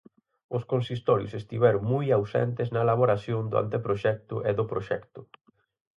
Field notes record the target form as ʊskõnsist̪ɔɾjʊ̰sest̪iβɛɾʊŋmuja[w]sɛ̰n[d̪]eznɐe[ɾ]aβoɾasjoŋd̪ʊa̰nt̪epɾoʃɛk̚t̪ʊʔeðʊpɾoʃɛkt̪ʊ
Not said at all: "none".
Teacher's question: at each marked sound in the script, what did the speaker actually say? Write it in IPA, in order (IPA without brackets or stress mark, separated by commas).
w, t̪, l